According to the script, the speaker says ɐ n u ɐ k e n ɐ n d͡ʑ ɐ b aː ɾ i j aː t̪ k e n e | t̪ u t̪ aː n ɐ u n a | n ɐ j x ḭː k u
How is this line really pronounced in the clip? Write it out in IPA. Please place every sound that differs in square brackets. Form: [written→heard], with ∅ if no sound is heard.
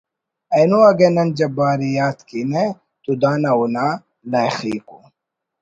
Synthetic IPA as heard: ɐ n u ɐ [k→ɡ] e n ɐ n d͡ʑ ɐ b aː ɾ i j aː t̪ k [e→i] n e | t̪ u [t̪→d̪] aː n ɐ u n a | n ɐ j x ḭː k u